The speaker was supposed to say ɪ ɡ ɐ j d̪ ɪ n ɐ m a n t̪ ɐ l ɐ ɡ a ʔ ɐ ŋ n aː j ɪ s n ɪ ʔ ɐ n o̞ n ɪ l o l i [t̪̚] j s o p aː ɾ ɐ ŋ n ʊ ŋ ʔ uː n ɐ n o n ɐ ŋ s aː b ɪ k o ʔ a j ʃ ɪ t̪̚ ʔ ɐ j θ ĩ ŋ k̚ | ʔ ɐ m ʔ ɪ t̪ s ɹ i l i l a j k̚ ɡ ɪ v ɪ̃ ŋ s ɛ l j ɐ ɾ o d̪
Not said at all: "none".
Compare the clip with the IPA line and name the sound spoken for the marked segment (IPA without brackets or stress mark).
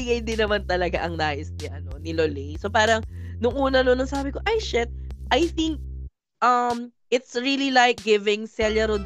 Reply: none